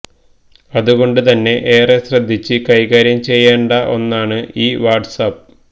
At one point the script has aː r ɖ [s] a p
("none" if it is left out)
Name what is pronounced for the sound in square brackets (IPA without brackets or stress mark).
s